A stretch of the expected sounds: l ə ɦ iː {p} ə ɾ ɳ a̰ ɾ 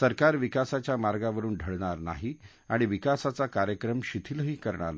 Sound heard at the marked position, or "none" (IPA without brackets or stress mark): k